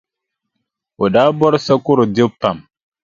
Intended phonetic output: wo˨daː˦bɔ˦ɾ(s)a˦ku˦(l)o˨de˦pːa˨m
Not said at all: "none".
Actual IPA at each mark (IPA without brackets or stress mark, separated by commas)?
s, ɾ